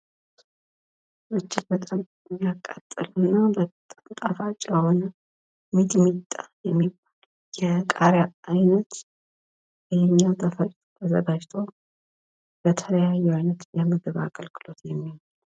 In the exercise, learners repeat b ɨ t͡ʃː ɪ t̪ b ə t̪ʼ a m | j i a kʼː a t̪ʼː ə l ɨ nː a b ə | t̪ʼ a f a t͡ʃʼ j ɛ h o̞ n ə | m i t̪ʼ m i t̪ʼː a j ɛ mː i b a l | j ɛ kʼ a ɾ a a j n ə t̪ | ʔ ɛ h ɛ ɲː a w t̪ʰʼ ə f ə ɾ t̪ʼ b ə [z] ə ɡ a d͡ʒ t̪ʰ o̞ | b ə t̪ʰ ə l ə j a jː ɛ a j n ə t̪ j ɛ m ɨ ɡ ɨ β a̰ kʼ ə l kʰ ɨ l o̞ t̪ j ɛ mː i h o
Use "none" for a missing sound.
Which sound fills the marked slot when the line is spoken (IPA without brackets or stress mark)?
z